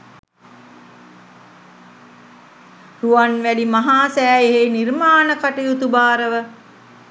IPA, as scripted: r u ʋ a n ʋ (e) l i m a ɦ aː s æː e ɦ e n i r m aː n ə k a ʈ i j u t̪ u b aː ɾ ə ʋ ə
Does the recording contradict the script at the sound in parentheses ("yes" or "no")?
yes